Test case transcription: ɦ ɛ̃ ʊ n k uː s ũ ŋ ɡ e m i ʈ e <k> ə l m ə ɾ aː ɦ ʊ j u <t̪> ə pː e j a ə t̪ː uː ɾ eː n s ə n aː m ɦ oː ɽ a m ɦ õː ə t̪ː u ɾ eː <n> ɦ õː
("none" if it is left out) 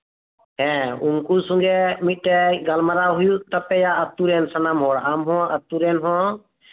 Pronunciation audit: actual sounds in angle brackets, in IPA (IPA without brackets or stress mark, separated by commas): ɡ, t̪, n